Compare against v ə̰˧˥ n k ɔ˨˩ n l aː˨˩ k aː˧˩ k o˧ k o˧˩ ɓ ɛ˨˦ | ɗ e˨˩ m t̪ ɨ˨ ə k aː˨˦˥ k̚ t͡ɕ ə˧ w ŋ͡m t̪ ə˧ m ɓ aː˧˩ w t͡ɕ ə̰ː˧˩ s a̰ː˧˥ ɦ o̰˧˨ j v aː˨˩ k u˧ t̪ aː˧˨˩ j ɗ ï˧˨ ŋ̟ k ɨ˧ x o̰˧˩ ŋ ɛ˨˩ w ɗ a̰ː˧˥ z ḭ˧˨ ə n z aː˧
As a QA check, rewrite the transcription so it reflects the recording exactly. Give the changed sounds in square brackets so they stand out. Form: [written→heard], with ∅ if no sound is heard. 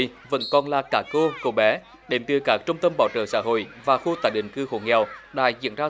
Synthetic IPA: v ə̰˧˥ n k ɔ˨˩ n l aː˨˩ k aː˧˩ k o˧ k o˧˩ ɓ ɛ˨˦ | ɗ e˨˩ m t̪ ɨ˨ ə k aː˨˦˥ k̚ t͡ɕ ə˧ w ŋ͡m t̪ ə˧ m ɓ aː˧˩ w t͡ɕ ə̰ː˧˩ s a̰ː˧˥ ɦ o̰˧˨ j v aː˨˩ [k→x] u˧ t̪ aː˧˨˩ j ɗ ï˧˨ ŋ̟ k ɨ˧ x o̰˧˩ ŋ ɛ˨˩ w ɗ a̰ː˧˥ z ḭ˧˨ ə n z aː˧